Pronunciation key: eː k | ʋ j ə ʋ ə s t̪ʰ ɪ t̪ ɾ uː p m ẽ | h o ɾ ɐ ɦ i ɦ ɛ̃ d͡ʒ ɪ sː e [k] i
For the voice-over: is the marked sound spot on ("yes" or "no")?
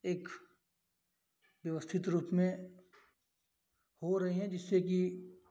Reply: yes